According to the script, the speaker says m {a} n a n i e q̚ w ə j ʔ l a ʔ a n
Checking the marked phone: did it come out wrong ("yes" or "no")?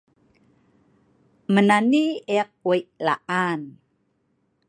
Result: yes